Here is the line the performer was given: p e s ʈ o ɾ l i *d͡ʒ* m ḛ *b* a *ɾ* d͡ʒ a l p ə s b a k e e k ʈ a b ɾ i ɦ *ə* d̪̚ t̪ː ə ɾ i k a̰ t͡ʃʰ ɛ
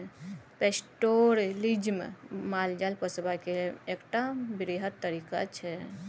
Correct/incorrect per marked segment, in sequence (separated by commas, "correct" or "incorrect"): correct, incorrect, incorrect, correct